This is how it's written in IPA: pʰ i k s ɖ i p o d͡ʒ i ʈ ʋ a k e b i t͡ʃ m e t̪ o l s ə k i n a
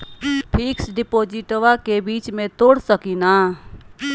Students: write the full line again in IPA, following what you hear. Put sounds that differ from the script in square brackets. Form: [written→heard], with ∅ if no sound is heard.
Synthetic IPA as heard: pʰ i k s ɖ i p o d͡ʒ i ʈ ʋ a k e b i t͡ʃ m e t̪ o [l→ɽ] s ə k i n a